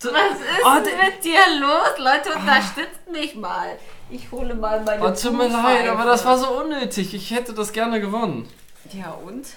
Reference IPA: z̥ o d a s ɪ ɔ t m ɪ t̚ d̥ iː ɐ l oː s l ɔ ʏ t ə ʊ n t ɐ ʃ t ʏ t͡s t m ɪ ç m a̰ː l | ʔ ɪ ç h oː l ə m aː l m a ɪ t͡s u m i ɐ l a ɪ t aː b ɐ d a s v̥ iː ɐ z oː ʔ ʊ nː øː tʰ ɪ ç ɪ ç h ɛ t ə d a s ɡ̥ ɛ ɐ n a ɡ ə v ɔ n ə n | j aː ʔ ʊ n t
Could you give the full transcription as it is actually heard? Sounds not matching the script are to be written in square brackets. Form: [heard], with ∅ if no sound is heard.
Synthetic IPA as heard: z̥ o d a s ɪ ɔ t m ɪ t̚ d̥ iː ɐ l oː s l ɔ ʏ t ə ʊ n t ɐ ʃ t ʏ t͡s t m ɪ ç m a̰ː l | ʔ ɪ ç h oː l ə m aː l m a ɪ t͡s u m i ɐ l a ɪ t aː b ɐ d a s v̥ [aː] ɐ z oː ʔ ʊ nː øː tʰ ɪ ç ɪ ç h ɛ t ə d a s ɡ̥ ɛ ɐ n [ə] ɡ ə v ɔ n ə n | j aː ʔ ʊ n t